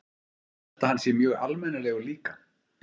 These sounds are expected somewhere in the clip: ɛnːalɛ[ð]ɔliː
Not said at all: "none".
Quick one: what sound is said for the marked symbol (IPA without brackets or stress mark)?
ɣ